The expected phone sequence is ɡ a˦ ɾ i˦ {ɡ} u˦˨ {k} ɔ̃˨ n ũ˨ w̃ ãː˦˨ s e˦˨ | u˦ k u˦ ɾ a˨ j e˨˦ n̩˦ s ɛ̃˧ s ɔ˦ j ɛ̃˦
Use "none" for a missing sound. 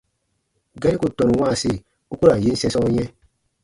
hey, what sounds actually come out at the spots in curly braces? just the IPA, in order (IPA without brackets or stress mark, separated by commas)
k, t